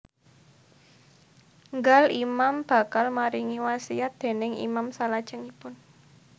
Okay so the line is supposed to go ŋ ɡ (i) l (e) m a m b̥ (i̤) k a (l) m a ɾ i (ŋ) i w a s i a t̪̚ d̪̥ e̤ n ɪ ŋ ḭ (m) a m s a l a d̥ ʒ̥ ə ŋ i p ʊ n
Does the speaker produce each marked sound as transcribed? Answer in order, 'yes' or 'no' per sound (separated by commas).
no, no, no, yes, yes, yes